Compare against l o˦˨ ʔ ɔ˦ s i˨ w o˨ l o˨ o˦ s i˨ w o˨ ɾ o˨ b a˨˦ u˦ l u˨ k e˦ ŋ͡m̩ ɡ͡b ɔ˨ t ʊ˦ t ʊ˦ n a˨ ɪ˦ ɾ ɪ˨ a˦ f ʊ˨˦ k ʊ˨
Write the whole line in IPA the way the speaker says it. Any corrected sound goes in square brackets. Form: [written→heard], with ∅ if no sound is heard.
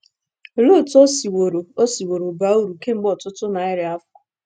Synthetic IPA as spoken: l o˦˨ [ʔ→t] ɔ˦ s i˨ w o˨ [l→ɾ] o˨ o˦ s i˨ w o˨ ɾ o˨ b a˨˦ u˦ [l→ɾ] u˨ k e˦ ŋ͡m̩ ɡ͡b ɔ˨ t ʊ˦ t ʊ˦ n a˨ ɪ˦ ɾ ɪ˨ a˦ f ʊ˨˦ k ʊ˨